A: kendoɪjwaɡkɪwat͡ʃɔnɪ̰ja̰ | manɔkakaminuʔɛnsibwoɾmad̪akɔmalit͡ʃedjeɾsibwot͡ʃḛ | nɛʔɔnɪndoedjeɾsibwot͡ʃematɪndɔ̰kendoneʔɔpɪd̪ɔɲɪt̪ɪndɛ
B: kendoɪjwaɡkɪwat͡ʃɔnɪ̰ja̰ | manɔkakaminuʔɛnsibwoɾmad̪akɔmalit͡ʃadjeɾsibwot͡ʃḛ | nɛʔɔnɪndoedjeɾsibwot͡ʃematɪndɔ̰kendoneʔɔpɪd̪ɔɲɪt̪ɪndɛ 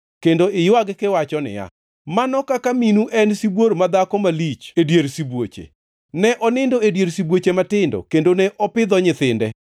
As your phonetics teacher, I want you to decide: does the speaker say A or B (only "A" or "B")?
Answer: A